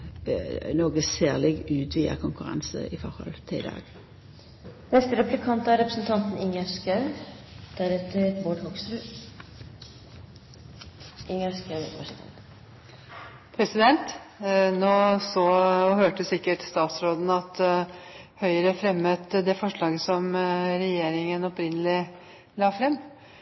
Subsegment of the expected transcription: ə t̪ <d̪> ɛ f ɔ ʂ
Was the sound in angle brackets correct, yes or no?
yes